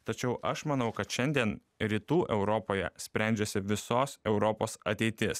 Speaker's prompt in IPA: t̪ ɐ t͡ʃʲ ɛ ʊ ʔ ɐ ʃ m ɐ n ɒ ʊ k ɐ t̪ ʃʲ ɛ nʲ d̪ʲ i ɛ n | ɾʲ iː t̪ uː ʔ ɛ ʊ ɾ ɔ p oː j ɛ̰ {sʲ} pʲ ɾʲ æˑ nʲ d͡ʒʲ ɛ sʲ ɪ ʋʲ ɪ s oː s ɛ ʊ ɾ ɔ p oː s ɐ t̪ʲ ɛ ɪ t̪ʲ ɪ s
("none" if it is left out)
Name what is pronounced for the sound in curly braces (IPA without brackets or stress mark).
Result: sʲ